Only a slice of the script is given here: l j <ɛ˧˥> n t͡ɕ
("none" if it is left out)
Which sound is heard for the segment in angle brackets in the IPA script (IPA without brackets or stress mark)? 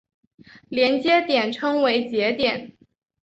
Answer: ɛ˧˥